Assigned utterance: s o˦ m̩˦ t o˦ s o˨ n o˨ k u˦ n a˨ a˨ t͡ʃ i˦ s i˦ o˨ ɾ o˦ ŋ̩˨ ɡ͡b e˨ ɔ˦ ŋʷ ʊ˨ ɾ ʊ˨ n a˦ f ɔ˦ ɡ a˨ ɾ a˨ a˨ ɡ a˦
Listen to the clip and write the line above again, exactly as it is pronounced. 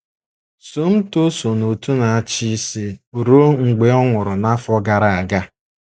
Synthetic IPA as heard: s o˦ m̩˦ t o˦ s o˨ n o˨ t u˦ n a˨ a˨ t͡ʃ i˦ s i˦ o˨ ɾ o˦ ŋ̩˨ ɡ͡b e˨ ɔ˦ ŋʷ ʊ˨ ɾ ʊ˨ n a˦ f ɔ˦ ɡ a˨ ɾ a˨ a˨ ɡ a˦